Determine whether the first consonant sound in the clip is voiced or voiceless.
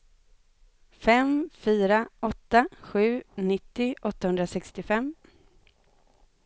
voiceless